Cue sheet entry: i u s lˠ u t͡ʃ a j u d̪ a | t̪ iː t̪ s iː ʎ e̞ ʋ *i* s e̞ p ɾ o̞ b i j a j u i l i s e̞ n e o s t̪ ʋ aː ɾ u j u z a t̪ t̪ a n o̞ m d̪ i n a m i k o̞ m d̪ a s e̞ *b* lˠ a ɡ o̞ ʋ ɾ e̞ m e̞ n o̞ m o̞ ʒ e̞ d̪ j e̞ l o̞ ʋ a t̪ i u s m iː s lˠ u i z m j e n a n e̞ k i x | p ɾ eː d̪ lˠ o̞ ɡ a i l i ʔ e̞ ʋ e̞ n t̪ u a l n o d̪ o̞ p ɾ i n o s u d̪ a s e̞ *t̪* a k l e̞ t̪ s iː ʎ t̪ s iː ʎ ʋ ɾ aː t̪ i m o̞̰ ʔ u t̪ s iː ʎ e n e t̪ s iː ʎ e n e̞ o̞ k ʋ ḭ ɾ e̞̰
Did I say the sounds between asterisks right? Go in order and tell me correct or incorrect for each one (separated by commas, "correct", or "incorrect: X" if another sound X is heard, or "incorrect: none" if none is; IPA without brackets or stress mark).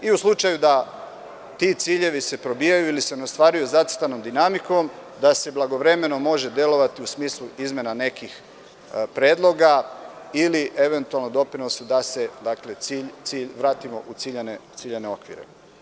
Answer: correct, correct, incorrect: d̪